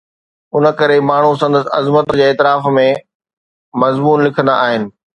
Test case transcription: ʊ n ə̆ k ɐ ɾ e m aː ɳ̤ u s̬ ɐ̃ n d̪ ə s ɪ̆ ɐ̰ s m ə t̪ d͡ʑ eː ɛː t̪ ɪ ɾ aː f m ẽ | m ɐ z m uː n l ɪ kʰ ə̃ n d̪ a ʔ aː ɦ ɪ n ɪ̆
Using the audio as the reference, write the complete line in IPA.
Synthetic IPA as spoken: ʊ n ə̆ k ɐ ɾ e m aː ɳ̤ u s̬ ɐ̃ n d̪ ə s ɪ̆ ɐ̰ z m ə t̪ d͡ʑ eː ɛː t̪ ɪ ɾ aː f m ẽ | m ɐ z m uː n l ɪ kʰ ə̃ n d̪ a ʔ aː ɦ ɪ n ɪ̆

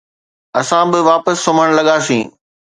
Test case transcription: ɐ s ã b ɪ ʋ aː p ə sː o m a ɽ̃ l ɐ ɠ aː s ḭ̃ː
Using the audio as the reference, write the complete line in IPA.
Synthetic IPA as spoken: ɐ s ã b ɪ ʋ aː p ə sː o m ə ɽ̃ l ɐ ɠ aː s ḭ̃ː

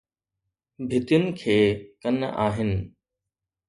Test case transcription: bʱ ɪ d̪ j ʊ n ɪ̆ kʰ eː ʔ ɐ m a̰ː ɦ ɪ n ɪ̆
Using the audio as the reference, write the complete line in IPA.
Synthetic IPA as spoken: bʱ ɪ t̪ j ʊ n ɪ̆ kʰ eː k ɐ n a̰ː ɦ ɪ n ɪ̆

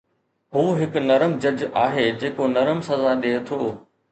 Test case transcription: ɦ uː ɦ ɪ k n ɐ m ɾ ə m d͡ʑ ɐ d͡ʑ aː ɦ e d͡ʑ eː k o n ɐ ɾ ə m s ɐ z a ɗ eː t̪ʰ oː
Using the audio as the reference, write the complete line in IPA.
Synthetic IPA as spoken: ɦ uː ɦ ɪ k n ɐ ɾ ə m d͡ʑ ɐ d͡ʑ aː ɦ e d͡ʑ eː k o n ɐ ɾ ə m s ɐ z a ɗ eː t̪ʰ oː

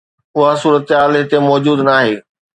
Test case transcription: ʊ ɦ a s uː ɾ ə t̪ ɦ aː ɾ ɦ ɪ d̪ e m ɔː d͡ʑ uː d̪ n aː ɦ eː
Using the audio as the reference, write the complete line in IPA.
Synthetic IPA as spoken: ʊ ɦ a s uː ɾ ə t̪ ɦ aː l ɦ ɪ t̪ e m ɔː d͡ʑ uː d̪ n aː ɦ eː

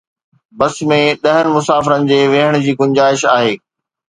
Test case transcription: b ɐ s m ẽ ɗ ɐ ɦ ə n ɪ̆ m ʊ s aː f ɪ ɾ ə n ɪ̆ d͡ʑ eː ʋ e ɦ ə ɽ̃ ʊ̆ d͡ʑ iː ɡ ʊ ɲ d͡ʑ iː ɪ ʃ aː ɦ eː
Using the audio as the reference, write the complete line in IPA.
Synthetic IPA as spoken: b ɐ s m ẽ ɗ ɐ ɦ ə n ɪ̆ m ʊ s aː f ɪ ɾ ə n ɪ̆ d͡ʑ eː ʋ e ɦ ə ɽ̃ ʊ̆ d͡ʑ iː ɡ ʊ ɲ d͡ʑ aː ɪ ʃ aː ɦ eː

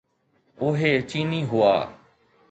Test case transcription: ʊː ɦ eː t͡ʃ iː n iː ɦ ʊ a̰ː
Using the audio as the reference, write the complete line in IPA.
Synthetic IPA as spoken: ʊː ɦ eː t͡ʃ iː n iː ɦ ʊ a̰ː

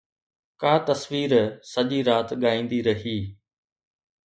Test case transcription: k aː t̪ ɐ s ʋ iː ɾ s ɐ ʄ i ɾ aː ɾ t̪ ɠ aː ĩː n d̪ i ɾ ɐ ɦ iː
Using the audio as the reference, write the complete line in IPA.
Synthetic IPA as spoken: k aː t̪ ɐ s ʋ iː ɾ s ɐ ʄ i ɾ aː t̪ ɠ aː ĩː n d̪ i ɾ ɐ ɦ iː

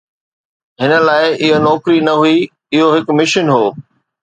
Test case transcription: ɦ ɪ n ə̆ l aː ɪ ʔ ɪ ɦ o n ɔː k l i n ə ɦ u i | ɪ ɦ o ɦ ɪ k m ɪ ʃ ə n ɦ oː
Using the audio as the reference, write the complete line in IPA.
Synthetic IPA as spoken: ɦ ɪ n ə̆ l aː ɪ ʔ ɪ ɦ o n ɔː k ɾ i n ɐ ɦ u i | ɪ ɦ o ɦ ɪ k m ɪ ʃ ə n ɦ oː

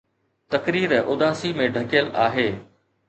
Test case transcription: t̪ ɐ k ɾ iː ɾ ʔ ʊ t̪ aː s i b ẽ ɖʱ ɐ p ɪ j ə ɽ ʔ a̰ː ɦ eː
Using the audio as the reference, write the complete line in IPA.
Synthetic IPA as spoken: t̪ ɐ k ɾ iː ɾ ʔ ʊ d̪ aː s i m ẽ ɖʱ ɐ k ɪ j ə l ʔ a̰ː ɦ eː

